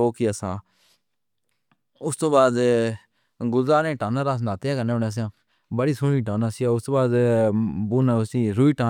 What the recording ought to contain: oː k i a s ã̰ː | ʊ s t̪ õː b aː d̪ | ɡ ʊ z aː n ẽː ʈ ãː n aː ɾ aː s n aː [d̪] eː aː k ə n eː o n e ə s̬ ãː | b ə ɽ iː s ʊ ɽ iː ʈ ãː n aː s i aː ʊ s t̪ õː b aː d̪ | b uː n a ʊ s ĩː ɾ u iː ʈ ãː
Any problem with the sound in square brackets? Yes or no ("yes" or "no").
yes